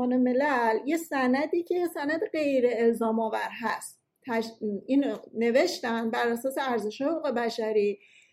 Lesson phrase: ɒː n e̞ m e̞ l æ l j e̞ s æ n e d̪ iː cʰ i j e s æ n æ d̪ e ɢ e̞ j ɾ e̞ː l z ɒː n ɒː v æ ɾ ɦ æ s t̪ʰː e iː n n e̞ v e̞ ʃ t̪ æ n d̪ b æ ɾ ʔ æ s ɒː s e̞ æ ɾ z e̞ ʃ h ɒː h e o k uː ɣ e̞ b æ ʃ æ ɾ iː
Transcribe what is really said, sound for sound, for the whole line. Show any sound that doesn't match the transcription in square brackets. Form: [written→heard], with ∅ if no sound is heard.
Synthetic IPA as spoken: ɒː n e̞ m e̞ l æ l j e̞ s æ n [e→æ] d̪ iː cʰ [i→e] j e s æ n æ d̪ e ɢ e̞ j ɾ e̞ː l z ɒː [n→m] ɒː v æ ɾ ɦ æ s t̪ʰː [e→æ] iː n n e̞ v e̞ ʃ t̪ æ n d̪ b æ ɾ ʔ æ s ɒː s e̞ æ ɾ z e̞ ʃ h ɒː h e o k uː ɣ e̞ b æ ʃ æ ɾ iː